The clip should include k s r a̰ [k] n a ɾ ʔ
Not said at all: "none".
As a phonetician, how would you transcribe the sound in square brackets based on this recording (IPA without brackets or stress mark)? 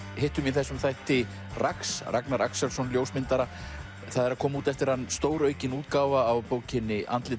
k